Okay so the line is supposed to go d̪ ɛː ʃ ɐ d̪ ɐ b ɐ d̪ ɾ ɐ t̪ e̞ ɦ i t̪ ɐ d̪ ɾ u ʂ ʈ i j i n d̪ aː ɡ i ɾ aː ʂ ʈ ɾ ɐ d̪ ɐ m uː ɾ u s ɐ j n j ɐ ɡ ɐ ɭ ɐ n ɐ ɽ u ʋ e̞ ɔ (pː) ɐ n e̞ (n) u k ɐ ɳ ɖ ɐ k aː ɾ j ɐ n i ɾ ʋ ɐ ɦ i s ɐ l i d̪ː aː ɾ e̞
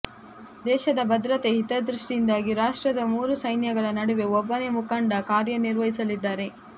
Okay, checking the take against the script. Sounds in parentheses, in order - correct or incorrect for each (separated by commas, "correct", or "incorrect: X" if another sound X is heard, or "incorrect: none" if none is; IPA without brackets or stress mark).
incorrect: bː, incorrect: m